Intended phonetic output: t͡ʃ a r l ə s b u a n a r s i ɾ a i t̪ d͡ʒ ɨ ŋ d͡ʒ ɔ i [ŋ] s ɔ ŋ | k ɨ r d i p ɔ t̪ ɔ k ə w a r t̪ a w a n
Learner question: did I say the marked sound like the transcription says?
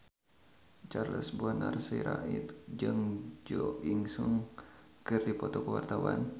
yes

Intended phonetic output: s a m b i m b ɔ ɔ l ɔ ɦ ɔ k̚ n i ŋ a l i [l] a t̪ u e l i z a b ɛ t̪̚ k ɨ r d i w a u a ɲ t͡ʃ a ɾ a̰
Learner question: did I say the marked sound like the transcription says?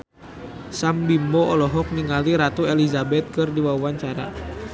no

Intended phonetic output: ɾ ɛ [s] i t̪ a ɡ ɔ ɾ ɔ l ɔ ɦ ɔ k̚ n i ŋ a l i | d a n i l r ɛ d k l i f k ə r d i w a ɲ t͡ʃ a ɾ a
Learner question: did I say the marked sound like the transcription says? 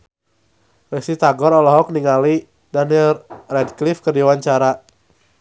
yes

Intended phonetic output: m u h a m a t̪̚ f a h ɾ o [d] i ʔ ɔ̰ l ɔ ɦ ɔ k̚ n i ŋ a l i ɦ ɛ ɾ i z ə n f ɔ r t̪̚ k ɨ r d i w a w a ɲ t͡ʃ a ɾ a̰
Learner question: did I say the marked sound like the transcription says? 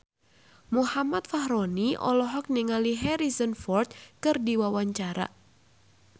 no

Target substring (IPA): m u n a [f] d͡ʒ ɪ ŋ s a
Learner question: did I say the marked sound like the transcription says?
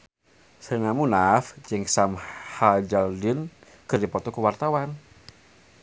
yes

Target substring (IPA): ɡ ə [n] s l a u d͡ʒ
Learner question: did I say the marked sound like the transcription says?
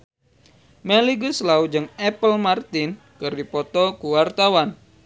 no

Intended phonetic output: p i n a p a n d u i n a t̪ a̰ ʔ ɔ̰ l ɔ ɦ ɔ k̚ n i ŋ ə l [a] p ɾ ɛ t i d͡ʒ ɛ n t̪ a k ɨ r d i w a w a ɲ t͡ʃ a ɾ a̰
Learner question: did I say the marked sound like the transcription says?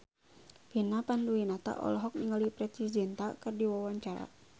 no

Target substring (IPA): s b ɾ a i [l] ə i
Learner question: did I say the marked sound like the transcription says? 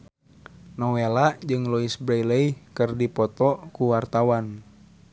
yes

